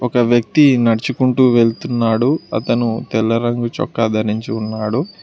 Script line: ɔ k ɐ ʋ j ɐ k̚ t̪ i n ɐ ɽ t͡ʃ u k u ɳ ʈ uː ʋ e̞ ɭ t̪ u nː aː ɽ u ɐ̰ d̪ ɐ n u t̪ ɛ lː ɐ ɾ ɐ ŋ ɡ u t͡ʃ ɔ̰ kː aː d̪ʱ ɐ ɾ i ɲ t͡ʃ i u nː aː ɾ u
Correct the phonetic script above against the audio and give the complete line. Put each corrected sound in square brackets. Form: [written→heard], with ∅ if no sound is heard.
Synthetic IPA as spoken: ɔ k ɐ ʋ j ɐ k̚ t̪ i n ɐ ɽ t͡ʃ u k u ɳ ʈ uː ʋ e̞ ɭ t̪ u nː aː ɽ u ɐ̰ [d̪→t̪] ɐ n u t̪ ɛ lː ɐ ɾ ɐ ŋ ɡ u t͡ʃ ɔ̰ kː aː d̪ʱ ɐ ɾ i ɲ t͡ʃ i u nː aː [ɾ→ɽ] u